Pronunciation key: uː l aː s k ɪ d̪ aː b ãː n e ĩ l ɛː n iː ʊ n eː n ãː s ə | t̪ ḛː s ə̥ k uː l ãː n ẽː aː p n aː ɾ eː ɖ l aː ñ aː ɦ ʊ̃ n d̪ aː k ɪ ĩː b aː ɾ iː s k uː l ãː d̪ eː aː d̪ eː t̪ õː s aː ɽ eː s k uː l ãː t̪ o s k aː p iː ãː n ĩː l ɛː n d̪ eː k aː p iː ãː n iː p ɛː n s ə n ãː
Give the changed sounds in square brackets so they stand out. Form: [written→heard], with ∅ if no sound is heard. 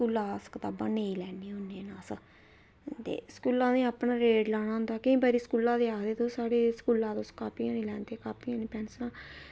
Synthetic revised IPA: uː l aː s k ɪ [d̪→t̪] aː b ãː n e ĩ l ɛː n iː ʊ n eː n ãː s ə | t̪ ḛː s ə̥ k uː l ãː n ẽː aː p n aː ɾ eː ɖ l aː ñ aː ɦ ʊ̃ n d̪ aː k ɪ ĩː b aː ɾ iː s k uː l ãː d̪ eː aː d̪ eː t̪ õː s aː ɽ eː s k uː l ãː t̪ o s k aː p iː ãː n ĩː l ɛː n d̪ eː k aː p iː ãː n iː p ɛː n s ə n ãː